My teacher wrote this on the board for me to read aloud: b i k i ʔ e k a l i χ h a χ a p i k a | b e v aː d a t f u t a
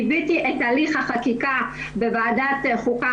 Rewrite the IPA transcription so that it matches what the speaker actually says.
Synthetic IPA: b i t i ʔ e t a l i χ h a χ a k i k a | b e v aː d a t χ u k a